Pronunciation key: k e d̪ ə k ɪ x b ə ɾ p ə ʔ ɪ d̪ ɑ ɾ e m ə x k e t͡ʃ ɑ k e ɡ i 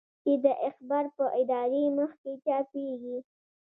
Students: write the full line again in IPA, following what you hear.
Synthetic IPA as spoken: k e d̪ ə ʔ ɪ x b ɑ ɾ p ə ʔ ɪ d̪ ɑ ɾ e m ə x k e t͡ʃ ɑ p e ɡ i